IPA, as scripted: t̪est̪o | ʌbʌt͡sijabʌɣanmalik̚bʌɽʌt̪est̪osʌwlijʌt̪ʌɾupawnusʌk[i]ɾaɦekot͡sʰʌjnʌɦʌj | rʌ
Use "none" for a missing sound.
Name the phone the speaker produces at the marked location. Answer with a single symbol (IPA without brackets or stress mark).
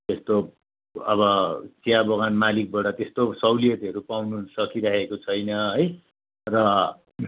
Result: i